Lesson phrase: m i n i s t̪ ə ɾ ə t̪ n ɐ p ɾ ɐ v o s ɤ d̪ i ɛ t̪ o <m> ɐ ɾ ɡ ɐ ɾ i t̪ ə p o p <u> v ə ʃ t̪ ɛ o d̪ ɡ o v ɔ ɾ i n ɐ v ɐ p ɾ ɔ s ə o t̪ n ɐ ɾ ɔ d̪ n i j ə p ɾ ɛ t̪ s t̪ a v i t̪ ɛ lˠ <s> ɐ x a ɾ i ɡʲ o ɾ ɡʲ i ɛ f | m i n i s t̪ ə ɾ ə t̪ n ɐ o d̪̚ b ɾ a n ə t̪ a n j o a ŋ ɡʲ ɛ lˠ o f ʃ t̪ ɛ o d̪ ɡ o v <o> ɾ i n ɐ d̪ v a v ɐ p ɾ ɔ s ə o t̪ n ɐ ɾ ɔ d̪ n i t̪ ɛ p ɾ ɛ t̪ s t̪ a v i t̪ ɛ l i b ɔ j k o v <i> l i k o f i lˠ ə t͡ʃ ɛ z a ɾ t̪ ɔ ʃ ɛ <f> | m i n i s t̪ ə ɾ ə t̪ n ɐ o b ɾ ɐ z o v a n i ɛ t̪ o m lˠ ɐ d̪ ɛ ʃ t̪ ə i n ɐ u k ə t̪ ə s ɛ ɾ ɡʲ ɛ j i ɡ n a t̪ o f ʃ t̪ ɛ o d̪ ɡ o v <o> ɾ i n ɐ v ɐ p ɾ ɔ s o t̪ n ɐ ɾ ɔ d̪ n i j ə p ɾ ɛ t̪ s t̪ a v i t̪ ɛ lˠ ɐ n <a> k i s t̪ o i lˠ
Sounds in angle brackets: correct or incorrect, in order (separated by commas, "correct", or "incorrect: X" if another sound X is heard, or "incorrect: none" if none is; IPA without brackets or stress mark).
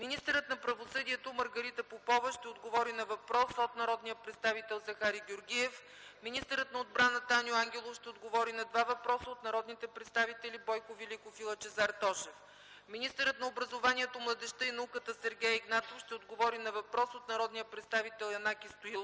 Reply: correct, incorrect: ɔ, incorrect: z, incorrect: ɔ, correct, correct, incorrect: ɔ, correct